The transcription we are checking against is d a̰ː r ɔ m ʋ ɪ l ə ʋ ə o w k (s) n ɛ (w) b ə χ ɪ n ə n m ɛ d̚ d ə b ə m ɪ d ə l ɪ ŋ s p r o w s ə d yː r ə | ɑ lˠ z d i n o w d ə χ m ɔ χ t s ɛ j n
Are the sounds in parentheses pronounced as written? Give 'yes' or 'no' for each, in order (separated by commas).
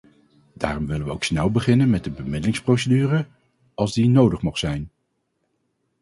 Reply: yes, yes